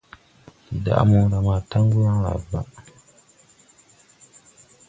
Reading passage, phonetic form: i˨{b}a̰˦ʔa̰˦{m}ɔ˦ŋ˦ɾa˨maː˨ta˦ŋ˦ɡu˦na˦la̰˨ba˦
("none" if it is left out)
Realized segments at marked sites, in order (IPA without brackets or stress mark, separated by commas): d, m